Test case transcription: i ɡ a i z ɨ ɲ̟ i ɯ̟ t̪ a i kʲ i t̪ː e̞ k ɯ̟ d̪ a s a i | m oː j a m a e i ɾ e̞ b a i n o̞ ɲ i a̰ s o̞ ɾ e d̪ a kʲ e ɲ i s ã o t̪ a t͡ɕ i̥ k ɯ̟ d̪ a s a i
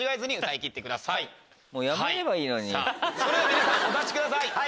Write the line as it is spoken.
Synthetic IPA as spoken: i ɡ a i z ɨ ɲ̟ i ɯ̟ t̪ a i kʲ i t̪ː e̞ k ɯ̟ d̪ a s a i | m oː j a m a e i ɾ e̞ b a iː n o̞ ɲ i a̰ s o̞ ɾ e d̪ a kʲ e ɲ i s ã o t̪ a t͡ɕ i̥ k ɯ̟ d̪ a s a i